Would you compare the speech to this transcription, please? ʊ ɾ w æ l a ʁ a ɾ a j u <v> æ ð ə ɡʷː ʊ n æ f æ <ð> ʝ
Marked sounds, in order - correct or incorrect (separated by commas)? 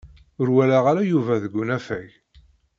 correct, incorrect